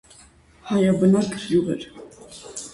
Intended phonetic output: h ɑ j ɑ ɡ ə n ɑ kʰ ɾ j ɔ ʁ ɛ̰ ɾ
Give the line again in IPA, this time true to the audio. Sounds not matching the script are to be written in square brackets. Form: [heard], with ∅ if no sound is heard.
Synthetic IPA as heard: h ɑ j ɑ [b] ə n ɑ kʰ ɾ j [u] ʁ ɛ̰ ɾ